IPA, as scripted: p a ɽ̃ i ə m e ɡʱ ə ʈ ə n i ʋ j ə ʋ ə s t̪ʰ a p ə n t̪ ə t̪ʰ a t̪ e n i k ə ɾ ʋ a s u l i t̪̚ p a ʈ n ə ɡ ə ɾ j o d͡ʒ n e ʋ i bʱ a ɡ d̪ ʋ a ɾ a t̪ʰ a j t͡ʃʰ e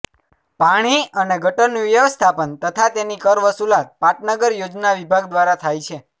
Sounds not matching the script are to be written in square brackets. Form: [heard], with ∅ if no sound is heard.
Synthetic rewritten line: p a ɽ̃ i ə [n] e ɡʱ ə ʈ ə n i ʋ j ə ʋ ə s t̪ʰ a p ə n t̪ ə t̪ʰ a t̪ e n i k ə ɾ ʋ [ə] s u l [a] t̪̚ p a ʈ n ə ɡ ə ɾ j o d͡ʒ n [a] ʋ i bʱ a ɡ d̪ ʋ a ɾ a t̪ʰ a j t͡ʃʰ e